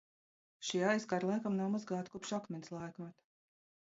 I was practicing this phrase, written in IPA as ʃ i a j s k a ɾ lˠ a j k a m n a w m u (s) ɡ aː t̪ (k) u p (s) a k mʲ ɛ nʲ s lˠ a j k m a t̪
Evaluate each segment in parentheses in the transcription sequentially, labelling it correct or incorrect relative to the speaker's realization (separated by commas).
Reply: incorrect, correct, incorrect